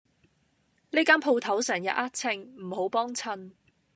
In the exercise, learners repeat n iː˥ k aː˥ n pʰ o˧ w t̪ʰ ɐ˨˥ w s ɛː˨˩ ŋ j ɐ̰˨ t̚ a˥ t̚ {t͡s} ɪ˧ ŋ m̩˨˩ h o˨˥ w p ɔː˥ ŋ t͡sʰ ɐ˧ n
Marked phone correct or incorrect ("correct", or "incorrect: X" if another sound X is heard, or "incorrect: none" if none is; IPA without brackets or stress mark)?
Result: incorrect: t͡sʰ